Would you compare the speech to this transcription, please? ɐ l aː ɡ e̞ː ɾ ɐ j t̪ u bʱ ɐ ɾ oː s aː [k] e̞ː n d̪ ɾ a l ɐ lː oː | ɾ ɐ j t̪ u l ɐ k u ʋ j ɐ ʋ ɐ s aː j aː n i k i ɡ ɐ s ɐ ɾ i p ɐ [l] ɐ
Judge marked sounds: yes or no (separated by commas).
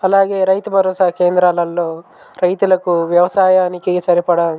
yes, no